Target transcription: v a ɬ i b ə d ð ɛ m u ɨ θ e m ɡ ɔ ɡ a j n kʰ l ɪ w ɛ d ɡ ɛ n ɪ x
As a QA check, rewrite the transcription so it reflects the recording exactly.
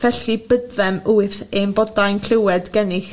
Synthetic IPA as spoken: v ɛ ɬ i b ə d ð ɛ m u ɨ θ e m b ɔ d a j n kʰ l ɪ w ɛ d ɡ ɛ n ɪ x